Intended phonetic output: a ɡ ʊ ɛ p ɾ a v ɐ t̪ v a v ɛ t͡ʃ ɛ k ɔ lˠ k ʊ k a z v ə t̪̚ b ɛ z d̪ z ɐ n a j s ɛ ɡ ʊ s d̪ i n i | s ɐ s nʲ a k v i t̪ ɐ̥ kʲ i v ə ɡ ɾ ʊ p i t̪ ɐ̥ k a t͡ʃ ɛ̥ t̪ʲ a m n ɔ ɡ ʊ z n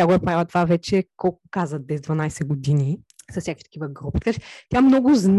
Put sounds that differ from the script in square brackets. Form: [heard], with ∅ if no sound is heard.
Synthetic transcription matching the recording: a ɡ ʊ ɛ p ɾ a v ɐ t̪ v a v ɛ t͡ʃ ɛ k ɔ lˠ k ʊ k a z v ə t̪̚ b ɛ z d̪ [v] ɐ n a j s ɛ ɡ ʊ [∅] d̪ i n i | s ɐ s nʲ a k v i t̪ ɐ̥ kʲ i v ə ɡ ɾ [u] p i t̪ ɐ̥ k a t͡ʃ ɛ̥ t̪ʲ a m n ɔ ɡ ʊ z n